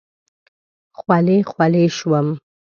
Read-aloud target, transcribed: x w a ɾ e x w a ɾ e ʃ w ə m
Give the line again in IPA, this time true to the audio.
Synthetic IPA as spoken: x w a l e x w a l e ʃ w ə m